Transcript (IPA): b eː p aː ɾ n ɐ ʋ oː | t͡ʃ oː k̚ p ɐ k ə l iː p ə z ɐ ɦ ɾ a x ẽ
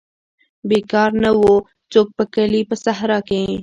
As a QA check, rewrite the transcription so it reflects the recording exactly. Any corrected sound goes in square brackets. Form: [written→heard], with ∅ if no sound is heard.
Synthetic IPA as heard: b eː [p→k] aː ɾ n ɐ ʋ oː | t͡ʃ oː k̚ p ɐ k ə l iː p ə [z→s] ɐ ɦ ɾ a [x→k] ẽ